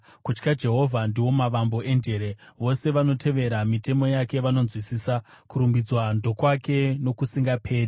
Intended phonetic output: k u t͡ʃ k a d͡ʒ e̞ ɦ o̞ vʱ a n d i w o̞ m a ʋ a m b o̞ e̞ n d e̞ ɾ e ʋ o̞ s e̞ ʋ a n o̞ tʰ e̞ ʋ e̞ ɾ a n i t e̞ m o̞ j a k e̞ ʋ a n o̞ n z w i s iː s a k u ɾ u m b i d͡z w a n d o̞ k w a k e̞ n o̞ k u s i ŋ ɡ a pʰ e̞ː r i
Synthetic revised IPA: k u t͡ʃ k a d͡ʒ e̞ ɦ o̞ vʱ a n d i w o̞ m a ʋ a m b o̞ e̞ n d e̞ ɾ e ʋ o̞ s e̞ ʋ a n o̞ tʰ e̞ ʋ e̞ ɾ a m i t e̞ m o̞ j a k e̞ ʋ a n o̞ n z w i s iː s a k u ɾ u m b i d͡z w a n d o̞ k w a k e̞ n o̞ k u s i ŋ ɡ a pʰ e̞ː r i